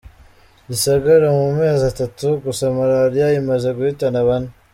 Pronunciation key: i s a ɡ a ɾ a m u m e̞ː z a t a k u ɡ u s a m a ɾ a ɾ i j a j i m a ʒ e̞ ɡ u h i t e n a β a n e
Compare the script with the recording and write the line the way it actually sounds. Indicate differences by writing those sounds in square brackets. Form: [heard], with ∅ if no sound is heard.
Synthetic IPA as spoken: i s a ɡ a ɾ a m u m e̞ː z a t a [t] u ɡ u s a m a ɾ a ɾ i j a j i m a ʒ e̞ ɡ u h i t [a] n a β a n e